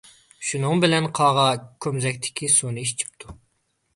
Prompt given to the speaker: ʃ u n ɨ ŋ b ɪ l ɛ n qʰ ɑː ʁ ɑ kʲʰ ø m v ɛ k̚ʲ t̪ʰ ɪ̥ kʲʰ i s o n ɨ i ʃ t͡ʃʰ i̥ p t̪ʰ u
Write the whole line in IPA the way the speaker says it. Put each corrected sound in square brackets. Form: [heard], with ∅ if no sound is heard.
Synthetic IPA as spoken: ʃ u n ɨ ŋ b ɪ l ɛ n qʰ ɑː ʁ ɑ kʲʰ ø m [z] ɛ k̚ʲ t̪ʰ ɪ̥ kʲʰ i s o n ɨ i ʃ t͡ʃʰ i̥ p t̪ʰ u